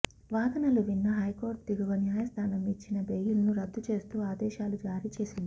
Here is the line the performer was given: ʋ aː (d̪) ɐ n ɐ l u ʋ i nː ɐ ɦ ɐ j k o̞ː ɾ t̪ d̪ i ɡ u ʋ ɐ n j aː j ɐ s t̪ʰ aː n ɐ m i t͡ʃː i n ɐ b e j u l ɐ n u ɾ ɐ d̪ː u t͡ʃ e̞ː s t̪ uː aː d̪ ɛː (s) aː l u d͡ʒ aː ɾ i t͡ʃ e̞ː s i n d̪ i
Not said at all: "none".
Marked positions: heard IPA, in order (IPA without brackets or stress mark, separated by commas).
d̪, ʃ